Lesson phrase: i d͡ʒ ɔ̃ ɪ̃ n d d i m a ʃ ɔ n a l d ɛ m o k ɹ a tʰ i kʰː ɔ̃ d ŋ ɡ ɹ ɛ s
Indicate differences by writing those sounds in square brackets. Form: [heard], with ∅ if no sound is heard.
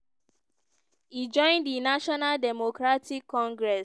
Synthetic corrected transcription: i d͡ʒ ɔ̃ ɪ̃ n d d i [n] a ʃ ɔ n a l d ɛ m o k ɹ a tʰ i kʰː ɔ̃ [∅] ŋ ɡ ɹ ɛ s